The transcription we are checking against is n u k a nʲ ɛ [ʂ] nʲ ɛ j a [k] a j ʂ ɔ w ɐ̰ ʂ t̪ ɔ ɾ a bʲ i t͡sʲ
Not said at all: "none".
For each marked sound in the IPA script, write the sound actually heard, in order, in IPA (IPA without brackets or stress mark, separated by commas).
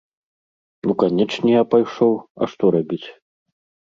t͡ʂ, p